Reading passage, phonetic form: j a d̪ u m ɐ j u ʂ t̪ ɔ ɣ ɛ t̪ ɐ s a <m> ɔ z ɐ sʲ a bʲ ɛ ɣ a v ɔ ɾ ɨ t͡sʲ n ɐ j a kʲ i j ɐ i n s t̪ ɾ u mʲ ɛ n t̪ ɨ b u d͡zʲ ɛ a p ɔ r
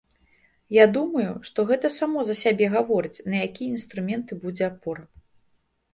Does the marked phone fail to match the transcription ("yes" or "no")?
no